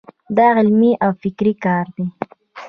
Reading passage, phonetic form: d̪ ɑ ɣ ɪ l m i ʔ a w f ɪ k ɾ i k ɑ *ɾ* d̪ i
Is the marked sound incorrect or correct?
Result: correct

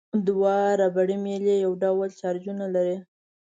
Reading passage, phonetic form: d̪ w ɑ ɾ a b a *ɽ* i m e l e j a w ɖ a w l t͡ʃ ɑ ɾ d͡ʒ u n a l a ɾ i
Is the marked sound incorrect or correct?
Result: correct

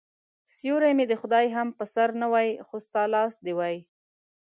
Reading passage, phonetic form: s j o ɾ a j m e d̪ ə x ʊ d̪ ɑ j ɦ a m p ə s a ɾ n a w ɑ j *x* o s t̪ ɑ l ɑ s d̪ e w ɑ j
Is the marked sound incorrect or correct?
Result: correct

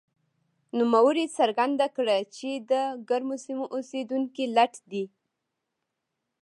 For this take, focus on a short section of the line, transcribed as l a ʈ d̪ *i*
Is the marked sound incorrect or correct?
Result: correct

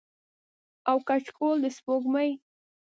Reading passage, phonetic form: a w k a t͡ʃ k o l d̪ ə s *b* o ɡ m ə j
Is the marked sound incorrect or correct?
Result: incorrect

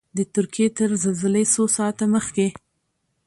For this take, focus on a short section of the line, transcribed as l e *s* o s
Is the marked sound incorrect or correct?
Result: correct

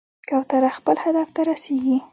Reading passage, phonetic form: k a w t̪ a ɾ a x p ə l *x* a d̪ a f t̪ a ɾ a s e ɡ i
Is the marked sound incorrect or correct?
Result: incorrect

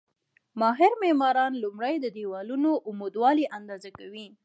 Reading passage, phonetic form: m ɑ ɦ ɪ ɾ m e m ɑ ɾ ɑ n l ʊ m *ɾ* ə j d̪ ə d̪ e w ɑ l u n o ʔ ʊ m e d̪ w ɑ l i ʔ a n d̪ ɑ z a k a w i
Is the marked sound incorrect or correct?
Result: incorrect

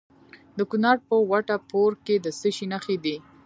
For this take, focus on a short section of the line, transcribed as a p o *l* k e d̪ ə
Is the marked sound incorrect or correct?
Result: incorrect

